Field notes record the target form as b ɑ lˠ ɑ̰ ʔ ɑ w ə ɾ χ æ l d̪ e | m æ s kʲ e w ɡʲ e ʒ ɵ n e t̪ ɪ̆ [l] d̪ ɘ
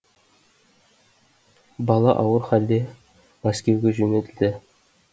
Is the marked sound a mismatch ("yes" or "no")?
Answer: no